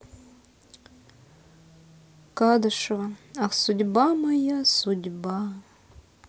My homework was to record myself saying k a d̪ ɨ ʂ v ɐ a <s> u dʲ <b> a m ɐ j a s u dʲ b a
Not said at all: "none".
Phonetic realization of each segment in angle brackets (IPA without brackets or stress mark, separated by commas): s, b